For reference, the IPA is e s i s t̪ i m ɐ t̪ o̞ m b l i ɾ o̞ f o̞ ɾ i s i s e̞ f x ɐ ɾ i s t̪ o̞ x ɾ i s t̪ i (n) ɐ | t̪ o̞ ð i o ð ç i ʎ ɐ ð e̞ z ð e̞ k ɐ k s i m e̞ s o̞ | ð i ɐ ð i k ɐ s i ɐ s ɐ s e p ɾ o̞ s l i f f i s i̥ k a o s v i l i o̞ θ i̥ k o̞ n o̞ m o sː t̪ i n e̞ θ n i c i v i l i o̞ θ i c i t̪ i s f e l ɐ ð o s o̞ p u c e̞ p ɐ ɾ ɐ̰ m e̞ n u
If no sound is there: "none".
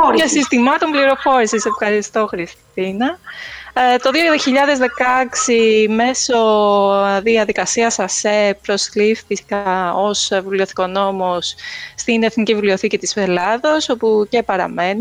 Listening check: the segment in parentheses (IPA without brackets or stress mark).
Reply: n